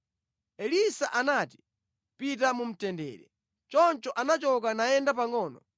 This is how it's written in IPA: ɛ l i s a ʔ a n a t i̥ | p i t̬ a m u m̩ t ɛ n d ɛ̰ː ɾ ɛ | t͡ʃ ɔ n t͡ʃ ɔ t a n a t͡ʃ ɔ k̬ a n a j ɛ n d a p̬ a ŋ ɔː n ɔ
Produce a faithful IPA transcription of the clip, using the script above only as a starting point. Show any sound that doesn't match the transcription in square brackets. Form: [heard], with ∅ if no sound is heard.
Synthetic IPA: ɛ l i s a ʔ a n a t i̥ | p i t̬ a m u m̩ t ɛ n d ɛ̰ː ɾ ɛ | t͡ʃ ɔ n t͡ʃ ɔ [ʔ] a n a t͡ʃ ɔ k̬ a n a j ɛ n d a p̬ a ŋ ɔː n ɔ